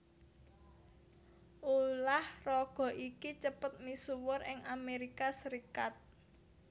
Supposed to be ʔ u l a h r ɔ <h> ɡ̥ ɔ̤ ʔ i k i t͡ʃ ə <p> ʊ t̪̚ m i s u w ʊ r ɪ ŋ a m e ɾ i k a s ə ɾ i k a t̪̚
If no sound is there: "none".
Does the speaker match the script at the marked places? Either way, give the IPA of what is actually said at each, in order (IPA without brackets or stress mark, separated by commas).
none, p